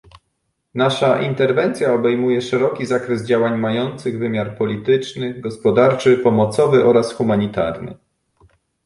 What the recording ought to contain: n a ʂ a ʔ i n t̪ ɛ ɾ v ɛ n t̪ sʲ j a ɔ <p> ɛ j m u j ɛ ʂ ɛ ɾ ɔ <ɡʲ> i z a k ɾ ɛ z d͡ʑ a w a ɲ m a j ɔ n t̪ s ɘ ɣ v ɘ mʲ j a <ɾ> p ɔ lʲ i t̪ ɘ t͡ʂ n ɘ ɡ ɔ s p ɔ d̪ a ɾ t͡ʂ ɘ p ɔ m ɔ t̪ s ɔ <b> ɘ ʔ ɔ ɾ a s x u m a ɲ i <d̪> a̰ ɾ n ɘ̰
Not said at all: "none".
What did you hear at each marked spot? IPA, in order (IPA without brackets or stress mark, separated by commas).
b, kʲ, ɾ, v, t̪